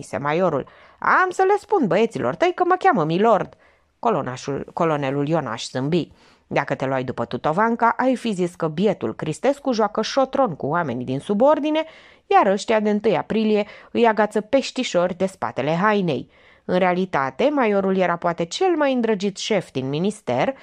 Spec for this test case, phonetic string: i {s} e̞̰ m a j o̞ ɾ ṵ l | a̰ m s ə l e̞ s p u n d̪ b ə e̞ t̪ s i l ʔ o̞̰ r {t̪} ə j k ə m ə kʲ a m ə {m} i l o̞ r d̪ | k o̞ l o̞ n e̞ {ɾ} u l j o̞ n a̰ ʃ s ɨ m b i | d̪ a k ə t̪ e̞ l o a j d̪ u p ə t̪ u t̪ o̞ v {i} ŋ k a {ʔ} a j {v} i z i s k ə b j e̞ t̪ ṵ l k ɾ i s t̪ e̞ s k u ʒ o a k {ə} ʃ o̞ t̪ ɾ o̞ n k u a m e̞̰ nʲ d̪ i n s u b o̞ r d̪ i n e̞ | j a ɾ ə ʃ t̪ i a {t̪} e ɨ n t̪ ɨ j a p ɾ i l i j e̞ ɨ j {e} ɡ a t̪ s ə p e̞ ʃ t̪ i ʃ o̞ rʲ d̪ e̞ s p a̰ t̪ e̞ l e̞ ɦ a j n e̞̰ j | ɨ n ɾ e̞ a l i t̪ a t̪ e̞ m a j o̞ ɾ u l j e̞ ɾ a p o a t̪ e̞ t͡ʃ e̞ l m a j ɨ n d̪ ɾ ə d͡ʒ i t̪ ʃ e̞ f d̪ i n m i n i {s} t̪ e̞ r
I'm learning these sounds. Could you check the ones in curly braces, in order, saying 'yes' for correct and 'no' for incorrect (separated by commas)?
yes, yes, yes, no, no, yes, no, yes, no, no, yes